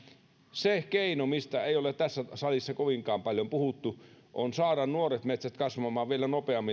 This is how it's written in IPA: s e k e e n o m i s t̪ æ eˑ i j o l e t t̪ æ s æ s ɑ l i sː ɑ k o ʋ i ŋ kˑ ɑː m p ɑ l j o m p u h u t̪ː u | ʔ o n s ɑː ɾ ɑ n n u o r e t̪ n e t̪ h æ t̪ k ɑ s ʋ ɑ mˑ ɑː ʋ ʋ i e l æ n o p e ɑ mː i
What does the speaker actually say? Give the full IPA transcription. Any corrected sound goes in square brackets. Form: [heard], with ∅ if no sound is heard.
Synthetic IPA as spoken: s e k e [i] n o m i s t̪ æ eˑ i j o l e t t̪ æ [sː] æ s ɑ l i sː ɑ k o ʋ i ŋ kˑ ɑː m p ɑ l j o m p u h u t̪ː u | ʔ o n s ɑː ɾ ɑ n n u o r e t̪ [m] e t̪ [s] æ t̪ k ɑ s ʋ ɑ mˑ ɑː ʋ ʋ i e l æ n o p e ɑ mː i